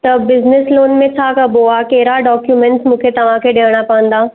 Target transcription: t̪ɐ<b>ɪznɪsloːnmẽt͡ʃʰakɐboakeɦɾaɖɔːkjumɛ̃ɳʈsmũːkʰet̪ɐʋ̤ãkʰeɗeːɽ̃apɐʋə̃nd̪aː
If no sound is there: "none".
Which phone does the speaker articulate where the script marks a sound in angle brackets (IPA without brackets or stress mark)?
b